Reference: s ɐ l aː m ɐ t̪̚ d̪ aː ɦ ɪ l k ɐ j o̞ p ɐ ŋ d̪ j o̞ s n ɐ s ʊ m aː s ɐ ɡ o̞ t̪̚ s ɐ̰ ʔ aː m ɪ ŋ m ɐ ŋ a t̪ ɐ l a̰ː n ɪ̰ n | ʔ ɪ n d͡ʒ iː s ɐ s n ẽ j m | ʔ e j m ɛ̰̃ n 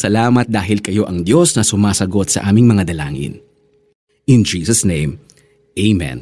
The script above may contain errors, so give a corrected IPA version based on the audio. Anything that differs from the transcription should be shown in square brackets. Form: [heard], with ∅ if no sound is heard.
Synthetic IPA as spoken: s ɐ l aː m ɐ t̪̚ d̪ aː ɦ ɪ l k ɐ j o̞ [ʔ] ɐ ŋ d̪ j o̞ s n ɐ s ʊ m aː s ɐ ɡ o̞ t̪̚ s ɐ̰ ʔ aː m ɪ ŋ m ɐ ŋ a [d̪] ɐ l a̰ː [ŋ] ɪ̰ n | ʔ ɪ n d͡ʒ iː s ɐ s n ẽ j m | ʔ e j m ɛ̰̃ n